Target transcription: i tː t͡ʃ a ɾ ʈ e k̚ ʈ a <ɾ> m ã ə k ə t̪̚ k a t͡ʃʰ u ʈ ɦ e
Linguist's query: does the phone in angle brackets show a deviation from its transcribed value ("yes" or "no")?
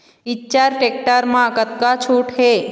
no